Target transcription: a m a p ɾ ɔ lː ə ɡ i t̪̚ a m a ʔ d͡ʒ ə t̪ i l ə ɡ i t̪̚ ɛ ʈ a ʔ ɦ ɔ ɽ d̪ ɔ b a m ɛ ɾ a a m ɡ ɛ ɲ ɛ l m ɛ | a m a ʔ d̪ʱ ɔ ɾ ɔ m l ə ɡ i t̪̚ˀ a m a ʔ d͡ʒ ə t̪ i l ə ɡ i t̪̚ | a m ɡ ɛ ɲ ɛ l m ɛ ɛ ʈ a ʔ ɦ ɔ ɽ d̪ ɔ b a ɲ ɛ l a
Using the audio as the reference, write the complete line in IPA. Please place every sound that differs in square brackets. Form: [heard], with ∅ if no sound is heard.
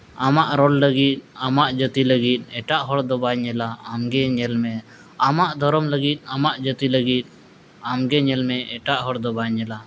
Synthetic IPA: a m a [ʔ] ɾ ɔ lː ə ɡ i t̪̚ a m a ʔ d͡ʒ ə t̪ i l ə ɡ i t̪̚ ɛ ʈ a ʔ ɦ ɔ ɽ d̪ ɔ b a [ɲ] ɛ [l] a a m ɡ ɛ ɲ ɛ l m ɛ | a m a ʔ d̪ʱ ɔ ɾ ɔ m l ə ɡ i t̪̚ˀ a m a ʔ d͡ʒ ə t̪ i l ə ɡ i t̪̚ | a m ɡ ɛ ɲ ɛ l m ɛ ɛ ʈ a ʔ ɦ ɔ ɽ d̪ ɔ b a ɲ ɛ l a

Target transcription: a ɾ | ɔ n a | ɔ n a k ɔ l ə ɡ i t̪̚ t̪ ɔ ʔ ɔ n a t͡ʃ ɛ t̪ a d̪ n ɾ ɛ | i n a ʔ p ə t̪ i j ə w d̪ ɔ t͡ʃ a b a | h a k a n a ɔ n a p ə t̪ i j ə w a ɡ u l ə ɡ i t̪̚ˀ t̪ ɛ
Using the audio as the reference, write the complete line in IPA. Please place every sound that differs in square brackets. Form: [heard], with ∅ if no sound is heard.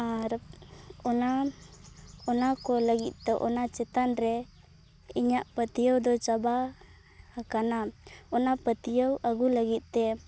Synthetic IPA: a ɾ | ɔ n a | ɔ n a k ɔ l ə ɡ i t̪̚ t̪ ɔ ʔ ɔ n a t͡ʃ ɛ t̪ a [∅] n ɾ ɛ | i [ɲ] a ʔ p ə t̪ i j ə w d̪ ɔ t͡ʃ a b a | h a k a n a ɔ n a p ə t̪ i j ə w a ɡ u l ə ɡ i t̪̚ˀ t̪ ɛ

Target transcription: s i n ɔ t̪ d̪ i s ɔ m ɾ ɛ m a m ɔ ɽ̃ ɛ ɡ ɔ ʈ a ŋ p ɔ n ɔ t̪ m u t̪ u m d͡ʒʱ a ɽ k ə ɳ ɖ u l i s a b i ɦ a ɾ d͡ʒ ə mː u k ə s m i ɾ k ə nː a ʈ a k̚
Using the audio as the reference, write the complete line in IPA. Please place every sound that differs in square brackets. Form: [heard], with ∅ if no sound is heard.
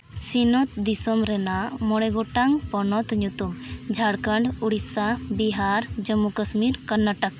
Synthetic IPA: s i n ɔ t̪ d̪ i s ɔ m ɾ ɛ [n] a m ɔ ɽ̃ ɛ ɡ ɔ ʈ a ŋ p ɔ n ɔ t̪ [ɲ] u t̪ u m d͡ʒʱ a ɽ k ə ɳ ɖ u [ɽ] i s a b i ɦ a ɾ d͡ʒ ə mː u k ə s m i ɾ k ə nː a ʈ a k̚

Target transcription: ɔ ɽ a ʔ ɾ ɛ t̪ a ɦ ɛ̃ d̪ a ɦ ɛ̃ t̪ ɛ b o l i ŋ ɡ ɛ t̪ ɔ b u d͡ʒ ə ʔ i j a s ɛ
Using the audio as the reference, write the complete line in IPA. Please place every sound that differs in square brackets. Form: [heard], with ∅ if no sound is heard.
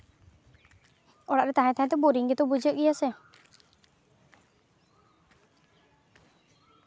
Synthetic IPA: ɔ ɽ a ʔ ɾ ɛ t̪ a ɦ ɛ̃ [t̪] a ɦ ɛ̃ t̪ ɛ b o [ɾ] i ŋ ɡ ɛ t̪ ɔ b u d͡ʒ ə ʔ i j a s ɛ

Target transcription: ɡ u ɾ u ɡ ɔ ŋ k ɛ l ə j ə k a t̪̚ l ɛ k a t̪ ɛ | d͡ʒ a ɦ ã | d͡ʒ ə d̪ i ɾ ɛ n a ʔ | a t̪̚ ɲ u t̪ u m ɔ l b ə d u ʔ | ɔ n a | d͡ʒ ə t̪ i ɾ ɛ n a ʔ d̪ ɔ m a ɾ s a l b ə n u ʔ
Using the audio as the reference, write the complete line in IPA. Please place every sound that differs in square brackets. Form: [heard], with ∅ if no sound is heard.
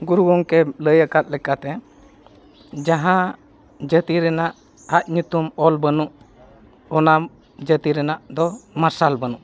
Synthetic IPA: ɡ u ɾ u ɡ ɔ ŋ k ɛ l ə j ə k a t̪̚ l ɛ k a t̪ ɛ | d͡ʒ a ɦ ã | d͡ʒ ə [t̪] i ɾ ɛ n a ʔ | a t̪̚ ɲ u t̪ u m ɔ l b ə [n] u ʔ | ɔ n a | d͡ʒ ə t̪ i ɾ ɛ n a ʔ d̪ ɔ m a ɾ s a l b ə n u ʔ

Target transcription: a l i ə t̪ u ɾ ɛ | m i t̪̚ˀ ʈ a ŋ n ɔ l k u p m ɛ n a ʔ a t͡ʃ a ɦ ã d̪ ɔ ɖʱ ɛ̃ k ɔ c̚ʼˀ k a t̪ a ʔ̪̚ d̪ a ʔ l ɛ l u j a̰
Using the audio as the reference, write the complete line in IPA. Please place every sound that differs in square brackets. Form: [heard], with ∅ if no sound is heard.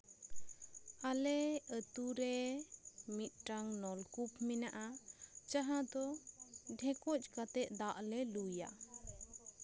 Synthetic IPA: a l [ɛ] ə t̪ u ɾ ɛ | m i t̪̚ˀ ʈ a ŋ n ɔ l k u p m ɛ n a ʔ a t͡ʃ a ɦ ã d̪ ɔ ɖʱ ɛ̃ k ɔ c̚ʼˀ k a t̪ [ɛ] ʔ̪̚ d̪ a ʔ l ɛ l u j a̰

